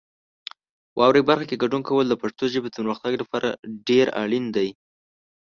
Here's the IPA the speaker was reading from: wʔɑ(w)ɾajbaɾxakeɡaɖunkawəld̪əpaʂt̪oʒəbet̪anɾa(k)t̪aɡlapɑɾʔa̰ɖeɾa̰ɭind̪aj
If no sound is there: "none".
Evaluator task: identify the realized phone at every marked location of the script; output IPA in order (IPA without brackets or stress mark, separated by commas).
w, x